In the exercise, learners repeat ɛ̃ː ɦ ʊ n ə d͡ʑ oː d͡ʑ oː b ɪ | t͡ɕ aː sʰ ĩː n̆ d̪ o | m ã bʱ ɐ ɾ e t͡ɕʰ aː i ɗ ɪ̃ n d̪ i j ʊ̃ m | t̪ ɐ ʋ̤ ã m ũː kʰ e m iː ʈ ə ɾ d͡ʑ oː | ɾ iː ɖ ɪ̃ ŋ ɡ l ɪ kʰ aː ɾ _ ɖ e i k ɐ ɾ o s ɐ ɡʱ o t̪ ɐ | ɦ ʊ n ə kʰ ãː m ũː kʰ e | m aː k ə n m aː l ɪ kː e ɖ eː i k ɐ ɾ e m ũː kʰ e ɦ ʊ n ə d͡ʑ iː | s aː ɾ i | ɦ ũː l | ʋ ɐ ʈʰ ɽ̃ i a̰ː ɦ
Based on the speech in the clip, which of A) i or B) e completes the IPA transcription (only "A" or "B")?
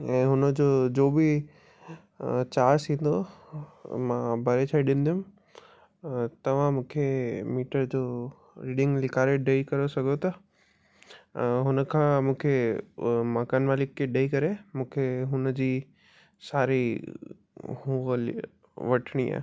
B